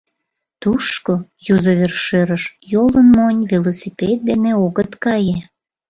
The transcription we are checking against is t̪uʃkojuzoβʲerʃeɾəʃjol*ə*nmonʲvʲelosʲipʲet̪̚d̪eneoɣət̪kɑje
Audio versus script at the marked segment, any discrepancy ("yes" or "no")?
no